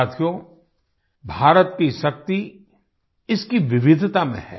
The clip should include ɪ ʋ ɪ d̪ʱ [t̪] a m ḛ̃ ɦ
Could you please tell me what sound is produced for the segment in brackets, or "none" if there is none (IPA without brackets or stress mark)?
t̪